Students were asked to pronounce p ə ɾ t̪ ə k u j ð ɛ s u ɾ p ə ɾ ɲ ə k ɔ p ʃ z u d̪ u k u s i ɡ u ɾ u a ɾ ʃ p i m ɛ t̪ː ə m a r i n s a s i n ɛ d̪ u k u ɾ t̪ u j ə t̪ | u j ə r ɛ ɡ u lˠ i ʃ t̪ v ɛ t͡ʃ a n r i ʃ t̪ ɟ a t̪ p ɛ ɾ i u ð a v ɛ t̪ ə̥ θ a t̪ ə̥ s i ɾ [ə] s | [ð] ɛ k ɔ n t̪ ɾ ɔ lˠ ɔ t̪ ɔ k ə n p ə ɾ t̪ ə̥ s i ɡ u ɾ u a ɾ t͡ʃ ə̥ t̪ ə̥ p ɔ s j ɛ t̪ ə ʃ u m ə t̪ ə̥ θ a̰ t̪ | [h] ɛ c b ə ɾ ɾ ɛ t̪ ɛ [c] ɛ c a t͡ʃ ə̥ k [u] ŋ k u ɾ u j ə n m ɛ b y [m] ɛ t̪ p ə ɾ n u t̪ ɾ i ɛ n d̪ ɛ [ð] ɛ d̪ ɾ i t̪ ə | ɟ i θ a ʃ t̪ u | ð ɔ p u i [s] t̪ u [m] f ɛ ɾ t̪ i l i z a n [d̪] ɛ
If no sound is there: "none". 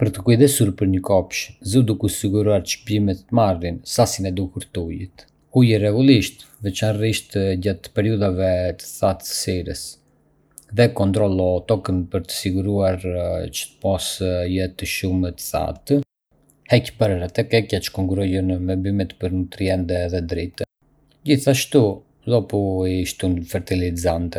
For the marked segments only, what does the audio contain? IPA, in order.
ə, ð, h, k, ɔ, m, ð, ʃ, n, t̪

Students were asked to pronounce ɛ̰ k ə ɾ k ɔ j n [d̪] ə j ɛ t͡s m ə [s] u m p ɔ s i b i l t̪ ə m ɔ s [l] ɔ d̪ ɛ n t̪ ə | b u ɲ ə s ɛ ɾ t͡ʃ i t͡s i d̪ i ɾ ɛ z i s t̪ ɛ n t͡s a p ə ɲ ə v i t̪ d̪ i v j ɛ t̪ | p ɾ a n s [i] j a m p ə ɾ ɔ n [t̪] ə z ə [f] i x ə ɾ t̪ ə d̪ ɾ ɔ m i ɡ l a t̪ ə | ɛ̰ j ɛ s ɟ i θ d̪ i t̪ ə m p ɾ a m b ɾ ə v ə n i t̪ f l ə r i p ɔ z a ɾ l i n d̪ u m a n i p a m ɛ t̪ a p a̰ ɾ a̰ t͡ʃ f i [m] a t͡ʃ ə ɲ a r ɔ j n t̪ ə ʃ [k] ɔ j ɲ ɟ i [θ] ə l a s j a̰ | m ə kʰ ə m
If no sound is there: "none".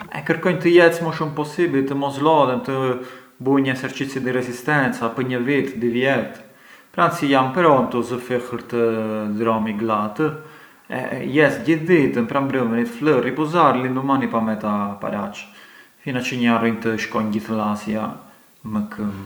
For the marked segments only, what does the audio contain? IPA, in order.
t̪, ʃ, l, i, t̪, f, n, k, θ

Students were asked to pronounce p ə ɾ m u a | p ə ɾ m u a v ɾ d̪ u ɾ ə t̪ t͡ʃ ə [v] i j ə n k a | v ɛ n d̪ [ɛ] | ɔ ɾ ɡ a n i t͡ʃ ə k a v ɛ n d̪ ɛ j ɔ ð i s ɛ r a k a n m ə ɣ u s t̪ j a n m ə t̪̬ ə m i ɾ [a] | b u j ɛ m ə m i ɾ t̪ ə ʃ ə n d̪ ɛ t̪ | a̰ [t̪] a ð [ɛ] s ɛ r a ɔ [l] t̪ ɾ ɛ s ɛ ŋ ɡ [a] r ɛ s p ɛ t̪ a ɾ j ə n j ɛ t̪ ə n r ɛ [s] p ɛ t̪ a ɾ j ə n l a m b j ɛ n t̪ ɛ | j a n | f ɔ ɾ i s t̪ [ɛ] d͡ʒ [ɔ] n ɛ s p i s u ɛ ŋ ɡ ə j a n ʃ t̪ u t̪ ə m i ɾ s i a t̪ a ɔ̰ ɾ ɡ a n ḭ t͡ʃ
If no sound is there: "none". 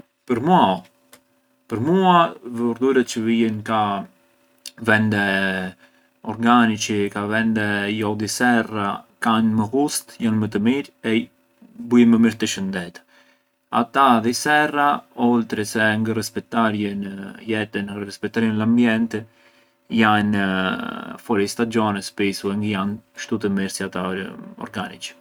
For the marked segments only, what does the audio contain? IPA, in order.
v, ɛ, ɛ, t̪, i, l, ə, s, a, ɔ

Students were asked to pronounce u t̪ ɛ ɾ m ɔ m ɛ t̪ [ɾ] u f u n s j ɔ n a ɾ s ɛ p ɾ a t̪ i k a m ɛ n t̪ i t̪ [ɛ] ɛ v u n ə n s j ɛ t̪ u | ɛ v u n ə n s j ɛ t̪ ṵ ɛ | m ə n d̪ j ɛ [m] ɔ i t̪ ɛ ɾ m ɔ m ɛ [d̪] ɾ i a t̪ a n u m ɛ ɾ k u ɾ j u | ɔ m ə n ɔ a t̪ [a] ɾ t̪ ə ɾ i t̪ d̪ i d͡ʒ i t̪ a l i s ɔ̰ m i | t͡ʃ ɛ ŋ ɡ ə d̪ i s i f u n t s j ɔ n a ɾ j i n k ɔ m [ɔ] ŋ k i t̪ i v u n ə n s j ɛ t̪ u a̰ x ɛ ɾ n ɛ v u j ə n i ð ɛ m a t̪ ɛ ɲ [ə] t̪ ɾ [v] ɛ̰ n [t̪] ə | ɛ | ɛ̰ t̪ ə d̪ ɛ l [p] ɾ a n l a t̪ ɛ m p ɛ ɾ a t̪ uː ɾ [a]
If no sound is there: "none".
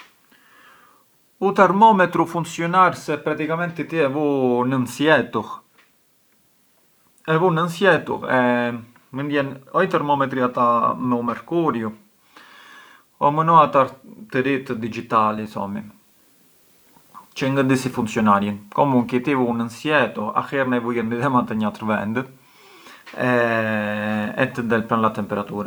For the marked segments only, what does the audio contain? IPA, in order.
ɾ, i, n, t̪, a, u, a, v, d̪, p, a

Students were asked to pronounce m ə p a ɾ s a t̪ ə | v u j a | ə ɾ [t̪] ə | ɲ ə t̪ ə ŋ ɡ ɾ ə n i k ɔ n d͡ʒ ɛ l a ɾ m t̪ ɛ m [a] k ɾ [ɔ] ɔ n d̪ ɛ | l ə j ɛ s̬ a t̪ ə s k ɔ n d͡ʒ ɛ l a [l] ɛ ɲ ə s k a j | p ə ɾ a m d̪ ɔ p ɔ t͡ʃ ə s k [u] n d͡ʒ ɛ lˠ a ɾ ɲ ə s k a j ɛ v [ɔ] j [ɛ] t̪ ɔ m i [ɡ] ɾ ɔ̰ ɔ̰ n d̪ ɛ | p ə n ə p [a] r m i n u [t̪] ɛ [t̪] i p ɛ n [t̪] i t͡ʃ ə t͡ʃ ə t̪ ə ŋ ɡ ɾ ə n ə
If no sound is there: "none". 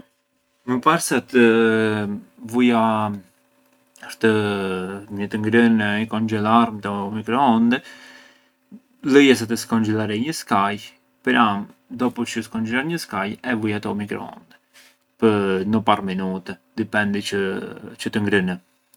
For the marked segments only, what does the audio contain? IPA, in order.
t̪, i, ɔ, ɾ, ɔ, u, a, k, a, t̪, d̪, d̪

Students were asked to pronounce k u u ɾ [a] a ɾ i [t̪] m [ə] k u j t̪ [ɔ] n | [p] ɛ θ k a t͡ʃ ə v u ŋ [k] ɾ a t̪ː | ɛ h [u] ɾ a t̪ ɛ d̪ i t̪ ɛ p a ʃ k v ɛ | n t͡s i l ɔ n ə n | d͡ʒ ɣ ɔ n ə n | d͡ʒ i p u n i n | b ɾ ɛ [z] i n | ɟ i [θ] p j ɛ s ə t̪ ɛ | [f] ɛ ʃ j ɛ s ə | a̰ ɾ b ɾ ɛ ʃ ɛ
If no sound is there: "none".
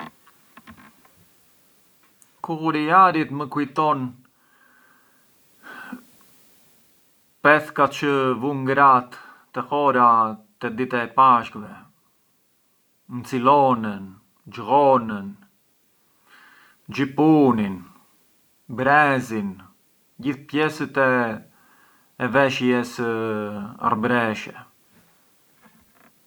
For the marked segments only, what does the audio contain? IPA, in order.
i, t̪, ə, ɔ, p, ɡ, ɔ, z, θ, v

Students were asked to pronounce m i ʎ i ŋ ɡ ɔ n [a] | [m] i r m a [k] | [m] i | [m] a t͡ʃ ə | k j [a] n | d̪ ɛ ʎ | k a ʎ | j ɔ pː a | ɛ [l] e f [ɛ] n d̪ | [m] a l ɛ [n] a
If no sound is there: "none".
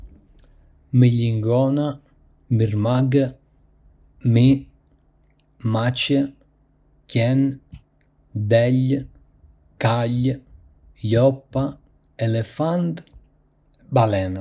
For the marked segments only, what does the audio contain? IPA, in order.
a, m, ɡ, m, m, ɛ, l, a, b, n

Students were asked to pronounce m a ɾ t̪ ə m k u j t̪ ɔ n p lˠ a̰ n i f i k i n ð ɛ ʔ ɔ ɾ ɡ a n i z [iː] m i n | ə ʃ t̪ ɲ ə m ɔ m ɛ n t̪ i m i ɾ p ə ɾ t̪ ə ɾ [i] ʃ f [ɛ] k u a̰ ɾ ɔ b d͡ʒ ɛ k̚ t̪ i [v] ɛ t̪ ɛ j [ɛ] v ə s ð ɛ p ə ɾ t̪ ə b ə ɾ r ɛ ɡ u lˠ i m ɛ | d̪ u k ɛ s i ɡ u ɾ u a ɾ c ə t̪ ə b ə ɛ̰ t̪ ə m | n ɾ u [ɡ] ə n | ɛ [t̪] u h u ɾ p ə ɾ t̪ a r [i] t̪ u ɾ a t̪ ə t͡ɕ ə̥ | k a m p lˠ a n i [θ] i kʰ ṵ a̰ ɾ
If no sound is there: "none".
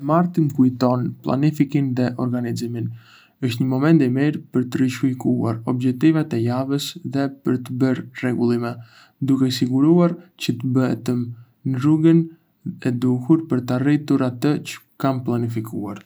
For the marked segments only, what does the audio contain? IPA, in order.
i, i, i, v, a, ɡ, d̪, i, f

